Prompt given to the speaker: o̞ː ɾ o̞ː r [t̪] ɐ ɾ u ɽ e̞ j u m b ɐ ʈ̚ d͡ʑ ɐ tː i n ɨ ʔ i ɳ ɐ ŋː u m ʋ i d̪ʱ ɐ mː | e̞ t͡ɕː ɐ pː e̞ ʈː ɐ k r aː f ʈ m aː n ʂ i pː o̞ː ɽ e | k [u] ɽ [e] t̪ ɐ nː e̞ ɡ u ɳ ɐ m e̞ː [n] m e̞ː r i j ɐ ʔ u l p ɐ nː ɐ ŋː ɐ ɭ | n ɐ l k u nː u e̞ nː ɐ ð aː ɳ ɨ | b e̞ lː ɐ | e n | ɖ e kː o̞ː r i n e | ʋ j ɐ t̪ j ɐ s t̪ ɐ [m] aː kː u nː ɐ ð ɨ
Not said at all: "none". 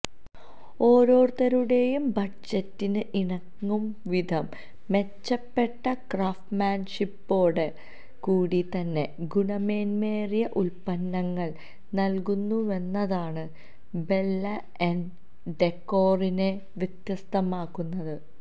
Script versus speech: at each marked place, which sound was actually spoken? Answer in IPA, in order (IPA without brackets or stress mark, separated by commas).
t̪, uː, i, n, m